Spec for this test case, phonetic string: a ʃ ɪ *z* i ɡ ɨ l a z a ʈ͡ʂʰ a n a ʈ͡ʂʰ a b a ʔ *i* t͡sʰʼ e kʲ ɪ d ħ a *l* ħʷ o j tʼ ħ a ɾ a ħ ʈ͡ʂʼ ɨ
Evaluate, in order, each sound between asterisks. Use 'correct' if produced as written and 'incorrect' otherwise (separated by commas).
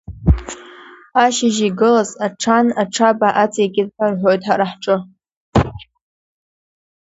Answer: incorrect, incorrect, incorrect